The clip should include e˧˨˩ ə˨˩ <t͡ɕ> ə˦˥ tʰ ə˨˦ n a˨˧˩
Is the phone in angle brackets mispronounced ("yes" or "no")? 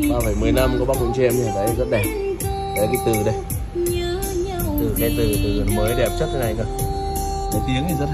no